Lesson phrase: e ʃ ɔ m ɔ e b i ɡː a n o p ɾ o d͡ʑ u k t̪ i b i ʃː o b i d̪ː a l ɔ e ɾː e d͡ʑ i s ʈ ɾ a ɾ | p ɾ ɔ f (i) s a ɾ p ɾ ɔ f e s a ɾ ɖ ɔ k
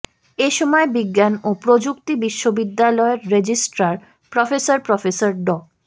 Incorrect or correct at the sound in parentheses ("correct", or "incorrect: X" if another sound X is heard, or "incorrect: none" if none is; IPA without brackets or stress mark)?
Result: incorrect: e